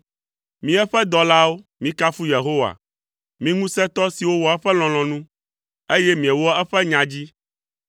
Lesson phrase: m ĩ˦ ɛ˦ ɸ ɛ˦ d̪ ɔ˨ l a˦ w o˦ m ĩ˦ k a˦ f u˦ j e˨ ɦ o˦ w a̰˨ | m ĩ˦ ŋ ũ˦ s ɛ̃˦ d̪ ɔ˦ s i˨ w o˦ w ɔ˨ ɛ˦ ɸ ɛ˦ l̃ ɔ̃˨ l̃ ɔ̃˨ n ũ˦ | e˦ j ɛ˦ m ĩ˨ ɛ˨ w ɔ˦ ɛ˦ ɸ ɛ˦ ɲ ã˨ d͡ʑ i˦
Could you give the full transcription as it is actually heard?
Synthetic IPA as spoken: m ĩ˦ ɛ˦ ɸ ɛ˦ d̪ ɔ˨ l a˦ w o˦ m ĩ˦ k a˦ f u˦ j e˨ ɦ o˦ w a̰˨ | m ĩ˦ ŋ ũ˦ s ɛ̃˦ t̪ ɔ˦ s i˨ w o˦ w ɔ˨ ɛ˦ ɸ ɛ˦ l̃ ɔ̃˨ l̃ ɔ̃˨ n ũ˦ | e˦ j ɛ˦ m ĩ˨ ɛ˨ w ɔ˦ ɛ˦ ɸ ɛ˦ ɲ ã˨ d͡ʑ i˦